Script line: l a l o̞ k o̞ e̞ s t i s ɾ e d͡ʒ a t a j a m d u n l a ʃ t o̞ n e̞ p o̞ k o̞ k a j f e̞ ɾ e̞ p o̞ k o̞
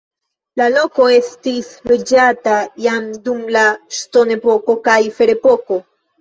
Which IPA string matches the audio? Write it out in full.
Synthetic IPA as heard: l a l o̞ k o̞ e̞ s t i s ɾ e d͡ʒ a t a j a m d u m l a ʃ t o̞ n e̞ p o̞ k o̞ k a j f e̞ ɾ e̞ p o̞ k o̞